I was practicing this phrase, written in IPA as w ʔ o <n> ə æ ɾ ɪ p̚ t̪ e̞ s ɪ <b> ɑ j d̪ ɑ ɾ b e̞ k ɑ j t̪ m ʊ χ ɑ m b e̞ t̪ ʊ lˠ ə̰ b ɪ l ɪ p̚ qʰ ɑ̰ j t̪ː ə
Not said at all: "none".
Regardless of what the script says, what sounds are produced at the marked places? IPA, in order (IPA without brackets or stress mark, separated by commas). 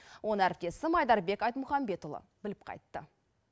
n, m